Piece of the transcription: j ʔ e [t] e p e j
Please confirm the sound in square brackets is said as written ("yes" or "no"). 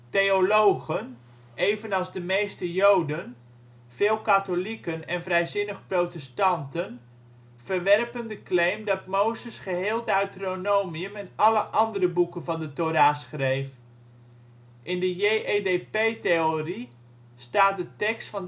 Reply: no